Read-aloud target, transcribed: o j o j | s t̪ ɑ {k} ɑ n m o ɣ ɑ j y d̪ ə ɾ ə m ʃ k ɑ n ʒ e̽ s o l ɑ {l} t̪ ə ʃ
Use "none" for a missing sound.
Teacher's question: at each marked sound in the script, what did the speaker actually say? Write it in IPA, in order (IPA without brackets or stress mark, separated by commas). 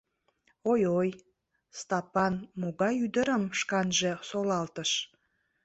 p, l